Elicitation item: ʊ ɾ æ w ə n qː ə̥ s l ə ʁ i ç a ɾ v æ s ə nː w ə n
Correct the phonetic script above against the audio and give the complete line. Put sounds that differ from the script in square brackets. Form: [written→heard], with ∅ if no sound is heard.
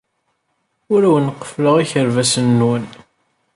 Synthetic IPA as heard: ʊ ɾ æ w ə n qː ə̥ [s→f] l ə ʁ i ç [a→ə] ɾ v æ s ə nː w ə n

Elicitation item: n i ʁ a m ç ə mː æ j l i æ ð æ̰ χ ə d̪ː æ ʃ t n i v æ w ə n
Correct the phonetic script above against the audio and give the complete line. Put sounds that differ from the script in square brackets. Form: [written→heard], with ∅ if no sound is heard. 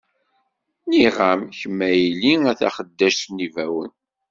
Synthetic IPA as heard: n i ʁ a m ç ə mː æ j l i æ [ð→θ] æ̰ χ ə d̪ː æ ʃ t n i v æ w ə n

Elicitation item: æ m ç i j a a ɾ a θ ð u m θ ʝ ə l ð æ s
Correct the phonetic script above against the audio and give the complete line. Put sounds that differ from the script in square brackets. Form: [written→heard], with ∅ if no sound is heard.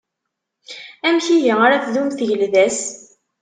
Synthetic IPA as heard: æ m ç i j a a ɾ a θ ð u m θ ʝ ə l ð æ s

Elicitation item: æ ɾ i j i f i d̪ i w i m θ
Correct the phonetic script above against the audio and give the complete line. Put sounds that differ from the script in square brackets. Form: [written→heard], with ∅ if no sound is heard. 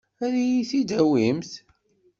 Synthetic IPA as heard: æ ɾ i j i [f→θ] i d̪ [i→æ] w i m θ

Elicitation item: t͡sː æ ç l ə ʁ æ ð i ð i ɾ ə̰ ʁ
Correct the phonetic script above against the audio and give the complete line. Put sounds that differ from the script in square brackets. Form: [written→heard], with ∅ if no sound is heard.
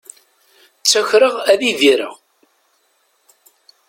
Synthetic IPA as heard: t͡sː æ ç [l→ɾ] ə ʁ æ ð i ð i ɾ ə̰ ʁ

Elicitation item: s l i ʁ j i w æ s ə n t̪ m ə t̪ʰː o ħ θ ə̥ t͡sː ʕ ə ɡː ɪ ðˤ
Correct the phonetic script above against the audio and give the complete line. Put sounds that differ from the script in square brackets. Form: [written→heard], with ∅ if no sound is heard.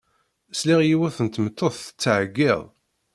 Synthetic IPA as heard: s l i ʁ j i w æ [s→θ] ə n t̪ m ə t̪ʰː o [ħ→θ] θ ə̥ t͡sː ʕ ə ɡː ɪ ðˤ

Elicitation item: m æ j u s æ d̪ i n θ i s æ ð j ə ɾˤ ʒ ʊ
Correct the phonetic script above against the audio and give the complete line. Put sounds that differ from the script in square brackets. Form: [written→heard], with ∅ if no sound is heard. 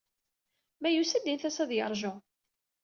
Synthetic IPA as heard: m æ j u s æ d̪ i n θ [i→æ] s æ ð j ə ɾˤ ʒ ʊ

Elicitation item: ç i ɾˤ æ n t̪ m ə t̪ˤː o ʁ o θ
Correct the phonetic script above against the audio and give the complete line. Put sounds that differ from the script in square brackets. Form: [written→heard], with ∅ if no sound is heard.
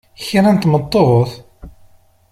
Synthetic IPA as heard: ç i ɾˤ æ n t̪ m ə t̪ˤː o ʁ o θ

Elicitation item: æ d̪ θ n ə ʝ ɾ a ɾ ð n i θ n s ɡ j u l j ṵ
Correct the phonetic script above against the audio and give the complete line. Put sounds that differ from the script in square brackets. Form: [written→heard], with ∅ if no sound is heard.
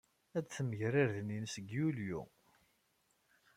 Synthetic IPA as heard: æ d̪ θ [n→m] ə ʝ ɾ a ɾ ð n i [θ→∅] n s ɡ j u l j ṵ

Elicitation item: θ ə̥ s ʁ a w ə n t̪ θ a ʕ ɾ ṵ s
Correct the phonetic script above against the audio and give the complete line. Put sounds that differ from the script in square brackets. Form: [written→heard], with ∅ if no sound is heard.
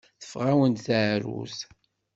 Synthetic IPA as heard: θ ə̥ [s→f] ʁ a w ə n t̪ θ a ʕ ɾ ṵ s

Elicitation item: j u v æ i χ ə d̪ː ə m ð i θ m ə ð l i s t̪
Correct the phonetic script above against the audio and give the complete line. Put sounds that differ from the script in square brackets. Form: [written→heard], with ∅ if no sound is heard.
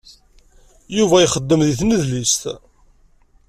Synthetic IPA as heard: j u v æ [i→j] χ ə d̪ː ə m ð i θ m ə ð l i s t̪

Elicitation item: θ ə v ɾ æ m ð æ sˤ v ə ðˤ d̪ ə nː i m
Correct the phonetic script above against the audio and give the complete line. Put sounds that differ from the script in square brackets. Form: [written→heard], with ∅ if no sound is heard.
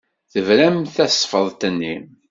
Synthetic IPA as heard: θ ə v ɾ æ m [ð→θ] æ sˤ [v→f] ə ðˤ [d̪→t̪] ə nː i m

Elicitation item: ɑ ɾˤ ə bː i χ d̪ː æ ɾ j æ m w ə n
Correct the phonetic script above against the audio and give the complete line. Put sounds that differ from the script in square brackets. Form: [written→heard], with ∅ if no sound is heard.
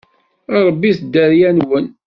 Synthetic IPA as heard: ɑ ɾˤ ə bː i [χ→θ] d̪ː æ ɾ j æ [m→n] w ə n

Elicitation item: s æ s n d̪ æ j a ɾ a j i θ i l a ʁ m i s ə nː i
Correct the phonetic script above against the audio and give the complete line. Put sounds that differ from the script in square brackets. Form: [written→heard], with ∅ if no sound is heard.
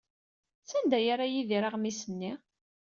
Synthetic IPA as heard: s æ [s→∅] n d̪ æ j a ɾ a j i [θ→ð] i [l→ɾ] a ʁ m i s ə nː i

